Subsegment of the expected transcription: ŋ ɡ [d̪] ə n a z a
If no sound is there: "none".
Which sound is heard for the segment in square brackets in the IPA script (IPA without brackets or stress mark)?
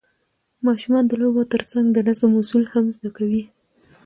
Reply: d̪